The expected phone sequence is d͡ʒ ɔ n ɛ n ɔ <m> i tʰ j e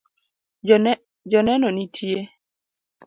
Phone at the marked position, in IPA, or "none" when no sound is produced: n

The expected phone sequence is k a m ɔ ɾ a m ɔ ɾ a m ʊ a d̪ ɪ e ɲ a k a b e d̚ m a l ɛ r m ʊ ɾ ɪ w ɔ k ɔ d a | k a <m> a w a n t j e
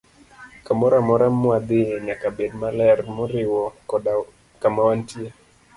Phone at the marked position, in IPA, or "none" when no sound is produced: m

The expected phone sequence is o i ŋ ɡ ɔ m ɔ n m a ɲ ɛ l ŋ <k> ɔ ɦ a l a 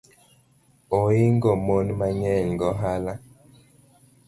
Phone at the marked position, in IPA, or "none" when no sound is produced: ɡ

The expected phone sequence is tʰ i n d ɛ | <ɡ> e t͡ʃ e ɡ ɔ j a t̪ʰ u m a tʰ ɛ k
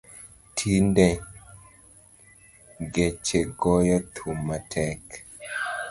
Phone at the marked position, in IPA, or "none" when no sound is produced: ɡ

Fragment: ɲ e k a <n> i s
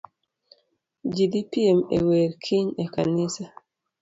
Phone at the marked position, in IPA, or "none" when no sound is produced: n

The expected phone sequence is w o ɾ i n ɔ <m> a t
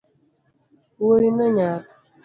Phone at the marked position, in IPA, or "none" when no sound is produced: ɲ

